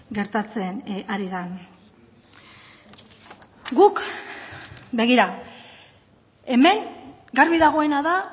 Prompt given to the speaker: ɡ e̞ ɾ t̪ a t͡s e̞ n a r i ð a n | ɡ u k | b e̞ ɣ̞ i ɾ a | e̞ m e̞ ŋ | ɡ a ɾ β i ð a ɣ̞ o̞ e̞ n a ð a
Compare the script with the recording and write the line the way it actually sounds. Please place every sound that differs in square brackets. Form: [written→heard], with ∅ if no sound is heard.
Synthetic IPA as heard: ɡ e̞ ɾ t̪ a t͡s e̞ n a [r→ɾ] i ð a n | ɡ u k | b e̞ ɣ̞ i ɾ a | e̞ m e̞ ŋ | ɡ a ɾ β i ð a ɣ̞ o̞ e̞ n a ð a